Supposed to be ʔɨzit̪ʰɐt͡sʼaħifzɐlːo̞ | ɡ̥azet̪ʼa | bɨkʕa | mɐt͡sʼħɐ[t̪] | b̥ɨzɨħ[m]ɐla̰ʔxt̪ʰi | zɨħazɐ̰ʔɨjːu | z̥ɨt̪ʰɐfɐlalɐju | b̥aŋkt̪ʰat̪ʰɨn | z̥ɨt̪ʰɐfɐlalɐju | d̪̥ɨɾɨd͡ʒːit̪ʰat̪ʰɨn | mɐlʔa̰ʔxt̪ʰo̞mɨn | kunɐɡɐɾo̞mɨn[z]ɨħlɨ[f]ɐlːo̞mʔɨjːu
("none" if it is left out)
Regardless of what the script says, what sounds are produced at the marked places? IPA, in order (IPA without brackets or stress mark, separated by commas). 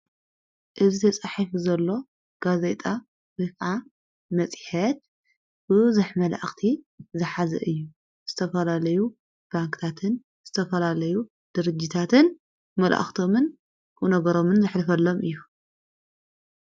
t̪, m, z, f